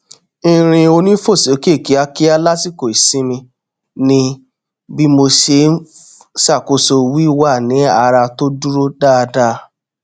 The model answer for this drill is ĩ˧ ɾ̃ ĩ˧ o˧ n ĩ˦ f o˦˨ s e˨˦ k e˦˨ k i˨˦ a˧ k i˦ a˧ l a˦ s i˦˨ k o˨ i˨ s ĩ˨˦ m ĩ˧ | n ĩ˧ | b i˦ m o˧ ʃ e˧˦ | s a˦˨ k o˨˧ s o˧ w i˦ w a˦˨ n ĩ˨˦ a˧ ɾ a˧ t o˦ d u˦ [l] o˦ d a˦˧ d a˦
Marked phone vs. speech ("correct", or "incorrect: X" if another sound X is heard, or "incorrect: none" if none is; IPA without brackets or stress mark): incorrect: ɾ